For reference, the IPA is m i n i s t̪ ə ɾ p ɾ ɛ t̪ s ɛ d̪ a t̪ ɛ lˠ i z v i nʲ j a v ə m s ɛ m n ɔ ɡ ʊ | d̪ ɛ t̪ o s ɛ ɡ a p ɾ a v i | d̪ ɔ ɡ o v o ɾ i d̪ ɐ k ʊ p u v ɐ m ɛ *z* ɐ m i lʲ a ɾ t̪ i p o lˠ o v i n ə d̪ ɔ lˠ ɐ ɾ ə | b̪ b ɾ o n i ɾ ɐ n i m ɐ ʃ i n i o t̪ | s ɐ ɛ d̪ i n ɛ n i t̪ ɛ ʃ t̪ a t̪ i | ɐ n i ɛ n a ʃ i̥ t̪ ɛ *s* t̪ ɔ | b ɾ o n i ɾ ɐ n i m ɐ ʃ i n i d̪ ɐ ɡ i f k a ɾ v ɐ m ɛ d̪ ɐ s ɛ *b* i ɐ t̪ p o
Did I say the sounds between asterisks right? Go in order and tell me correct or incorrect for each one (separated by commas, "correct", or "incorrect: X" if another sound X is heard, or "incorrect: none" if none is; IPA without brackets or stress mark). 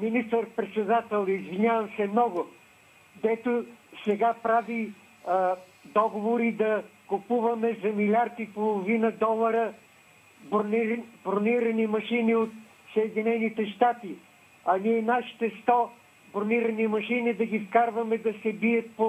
correct, correct, correct